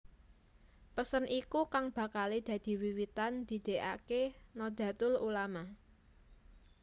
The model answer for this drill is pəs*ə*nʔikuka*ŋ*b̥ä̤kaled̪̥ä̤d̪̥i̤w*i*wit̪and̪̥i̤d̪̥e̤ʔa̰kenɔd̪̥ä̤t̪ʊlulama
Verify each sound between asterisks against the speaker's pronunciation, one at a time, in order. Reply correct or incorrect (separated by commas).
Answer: correct, correct, correct